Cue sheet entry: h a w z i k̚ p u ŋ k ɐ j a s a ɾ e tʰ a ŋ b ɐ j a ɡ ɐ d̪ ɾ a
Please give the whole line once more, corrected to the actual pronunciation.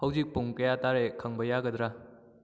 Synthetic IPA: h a w z i k̚ p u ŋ k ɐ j a t a ɾ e kʰ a ŋ b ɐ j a ɡ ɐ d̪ ɾ a